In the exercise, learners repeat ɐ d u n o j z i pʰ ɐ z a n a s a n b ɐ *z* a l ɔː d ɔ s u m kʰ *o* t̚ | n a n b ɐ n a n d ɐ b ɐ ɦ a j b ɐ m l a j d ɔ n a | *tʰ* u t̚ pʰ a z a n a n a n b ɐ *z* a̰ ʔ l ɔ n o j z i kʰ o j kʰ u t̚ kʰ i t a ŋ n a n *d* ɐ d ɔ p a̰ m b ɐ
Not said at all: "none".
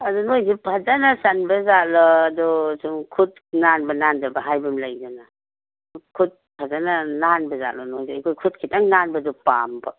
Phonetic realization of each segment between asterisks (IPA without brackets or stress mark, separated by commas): z, u, kʰ, z, b